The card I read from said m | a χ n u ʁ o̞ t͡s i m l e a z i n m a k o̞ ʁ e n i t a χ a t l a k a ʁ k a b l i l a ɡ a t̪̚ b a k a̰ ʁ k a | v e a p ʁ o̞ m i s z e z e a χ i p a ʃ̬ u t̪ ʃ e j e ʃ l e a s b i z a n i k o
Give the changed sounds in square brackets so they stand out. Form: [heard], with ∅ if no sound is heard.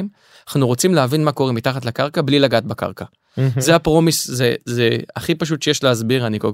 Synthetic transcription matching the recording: m | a χ n u ʁ o̞ t͡s i m l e a [v] i n m a k o̞ ʁ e [m] i t a χ a t l a k a ʁ k a b l i l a ɡ a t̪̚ b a k a̰ ʁ k a | [z] e a p ʁ o̞ m i s z e z e a χ i p a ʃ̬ u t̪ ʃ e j e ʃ l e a [z] b i [ʁ] a n i k o